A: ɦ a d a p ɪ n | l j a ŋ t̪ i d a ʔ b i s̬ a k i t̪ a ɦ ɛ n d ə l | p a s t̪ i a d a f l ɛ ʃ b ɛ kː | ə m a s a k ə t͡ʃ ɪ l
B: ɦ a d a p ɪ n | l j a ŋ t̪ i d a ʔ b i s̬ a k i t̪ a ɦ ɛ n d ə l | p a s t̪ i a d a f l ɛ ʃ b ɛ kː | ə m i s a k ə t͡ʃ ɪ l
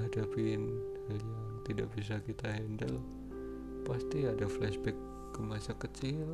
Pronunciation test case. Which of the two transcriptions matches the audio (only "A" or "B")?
A